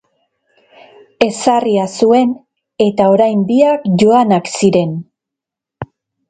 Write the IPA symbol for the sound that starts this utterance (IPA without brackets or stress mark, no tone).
e̞